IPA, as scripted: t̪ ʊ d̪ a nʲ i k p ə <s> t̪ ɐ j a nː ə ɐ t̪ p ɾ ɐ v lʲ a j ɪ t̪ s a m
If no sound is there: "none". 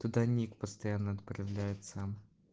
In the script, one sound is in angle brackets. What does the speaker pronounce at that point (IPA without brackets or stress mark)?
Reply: s